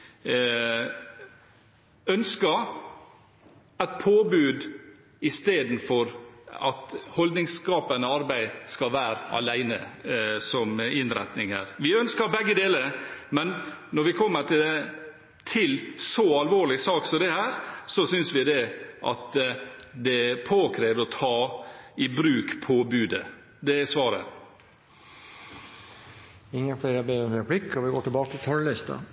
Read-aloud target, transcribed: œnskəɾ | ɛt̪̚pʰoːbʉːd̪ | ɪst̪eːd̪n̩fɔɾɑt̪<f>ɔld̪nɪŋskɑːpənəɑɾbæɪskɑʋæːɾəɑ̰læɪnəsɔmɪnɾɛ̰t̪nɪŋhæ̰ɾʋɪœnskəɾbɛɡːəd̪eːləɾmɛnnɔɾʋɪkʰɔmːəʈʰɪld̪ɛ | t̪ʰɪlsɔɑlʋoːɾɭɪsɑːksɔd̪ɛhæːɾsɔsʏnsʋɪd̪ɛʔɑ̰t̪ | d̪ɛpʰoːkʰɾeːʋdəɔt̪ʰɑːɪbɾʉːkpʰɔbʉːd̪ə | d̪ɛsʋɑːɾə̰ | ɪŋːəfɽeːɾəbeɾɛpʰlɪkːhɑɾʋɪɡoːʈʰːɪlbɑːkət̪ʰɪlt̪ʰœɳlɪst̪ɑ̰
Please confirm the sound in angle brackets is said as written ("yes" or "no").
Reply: no